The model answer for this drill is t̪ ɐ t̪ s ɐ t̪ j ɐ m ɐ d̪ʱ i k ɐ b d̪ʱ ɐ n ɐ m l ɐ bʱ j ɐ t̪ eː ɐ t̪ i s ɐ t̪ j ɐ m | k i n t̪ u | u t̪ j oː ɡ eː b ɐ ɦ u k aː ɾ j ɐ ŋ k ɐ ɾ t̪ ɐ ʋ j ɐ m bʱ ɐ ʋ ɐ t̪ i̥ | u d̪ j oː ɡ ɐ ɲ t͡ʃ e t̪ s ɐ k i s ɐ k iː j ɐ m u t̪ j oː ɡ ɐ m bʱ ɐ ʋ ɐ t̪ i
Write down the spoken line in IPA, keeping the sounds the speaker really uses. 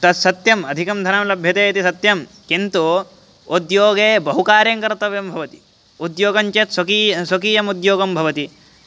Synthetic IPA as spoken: t̪ ɐ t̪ s ɐ t̪ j ɐ m ɐ d̪ʱ i k ɐ m d̪ʱ ɐ n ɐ m l ɐ bʱ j ɐ t̪ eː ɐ t̪ i s ɐ t̪ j ɐ m | k i n t̪ u | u d̪ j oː ɡ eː b ɐ ɦ u k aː ɾ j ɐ ŋ k ɐ ɾ t̪ ɐ ʋ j ɐ m bʱ ɐ ʋ ɐ t̪ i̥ | u d̪ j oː ɡ ɐ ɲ t͡ʃ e t̪ s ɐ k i s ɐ k iː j ɐ m u d̪ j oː ɡ ɐ m bʱ ɐ ʋ ɐ t̪ i